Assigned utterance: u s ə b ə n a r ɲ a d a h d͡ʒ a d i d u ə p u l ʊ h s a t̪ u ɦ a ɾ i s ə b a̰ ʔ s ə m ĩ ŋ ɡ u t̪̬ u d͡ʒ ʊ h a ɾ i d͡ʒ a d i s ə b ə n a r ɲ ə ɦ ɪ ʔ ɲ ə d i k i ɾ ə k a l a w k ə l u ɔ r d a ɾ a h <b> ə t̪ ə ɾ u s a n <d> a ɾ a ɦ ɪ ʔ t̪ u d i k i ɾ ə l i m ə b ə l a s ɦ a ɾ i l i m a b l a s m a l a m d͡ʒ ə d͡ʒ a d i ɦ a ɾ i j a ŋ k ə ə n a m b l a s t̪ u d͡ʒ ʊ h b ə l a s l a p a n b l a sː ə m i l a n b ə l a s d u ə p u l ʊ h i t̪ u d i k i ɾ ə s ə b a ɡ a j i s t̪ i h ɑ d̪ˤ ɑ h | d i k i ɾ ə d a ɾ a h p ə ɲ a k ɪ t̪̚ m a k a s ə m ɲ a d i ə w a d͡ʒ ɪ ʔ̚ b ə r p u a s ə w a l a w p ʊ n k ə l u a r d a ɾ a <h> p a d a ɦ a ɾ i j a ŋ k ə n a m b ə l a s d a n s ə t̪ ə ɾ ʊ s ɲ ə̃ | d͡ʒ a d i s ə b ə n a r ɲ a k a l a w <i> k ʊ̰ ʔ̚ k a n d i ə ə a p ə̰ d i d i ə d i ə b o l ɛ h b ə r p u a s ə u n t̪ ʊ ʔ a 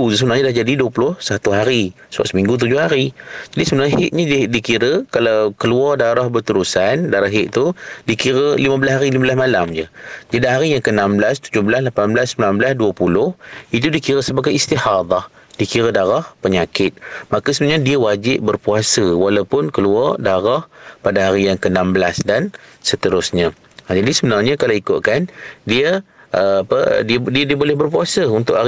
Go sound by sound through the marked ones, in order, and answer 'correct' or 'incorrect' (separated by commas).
correct, correct, correct, correct